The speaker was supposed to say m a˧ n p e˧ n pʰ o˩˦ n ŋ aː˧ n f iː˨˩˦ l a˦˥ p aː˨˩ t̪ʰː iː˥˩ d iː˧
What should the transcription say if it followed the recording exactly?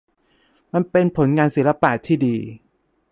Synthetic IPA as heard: m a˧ n p e˧ n pʰ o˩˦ n ŋ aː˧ n s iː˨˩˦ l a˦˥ p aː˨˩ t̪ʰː iː˥˩ d iː˧